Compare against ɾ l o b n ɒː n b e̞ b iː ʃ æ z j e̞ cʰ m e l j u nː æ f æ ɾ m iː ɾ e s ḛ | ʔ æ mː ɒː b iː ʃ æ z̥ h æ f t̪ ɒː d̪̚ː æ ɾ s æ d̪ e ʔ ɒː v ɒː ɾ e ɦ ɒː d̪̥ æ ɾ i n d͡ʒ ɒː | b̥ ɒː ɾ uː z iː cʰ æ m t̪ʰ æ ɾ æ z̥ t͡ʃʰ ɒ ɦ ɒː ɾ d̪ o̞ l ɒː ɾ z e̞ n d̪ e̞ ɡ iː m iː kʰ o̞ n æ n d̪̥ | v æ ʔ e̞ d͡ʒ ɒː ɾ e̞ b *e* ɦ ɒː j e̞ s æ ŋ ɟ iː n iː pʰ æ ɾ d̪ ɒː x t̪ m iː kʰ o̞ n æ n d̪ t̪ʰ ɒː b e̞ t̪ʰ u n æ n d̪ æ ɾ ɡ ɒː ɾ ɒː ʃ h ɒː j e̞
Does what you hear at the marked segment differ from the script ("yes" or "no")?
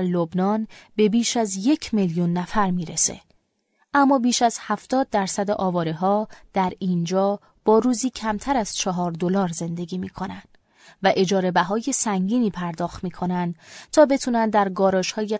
yes